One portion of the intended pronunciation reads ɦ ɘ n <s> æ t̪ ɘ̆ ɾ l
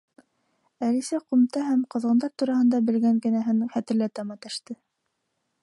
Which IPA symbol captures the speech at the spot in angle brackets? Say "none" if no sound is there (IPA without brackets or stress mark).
χ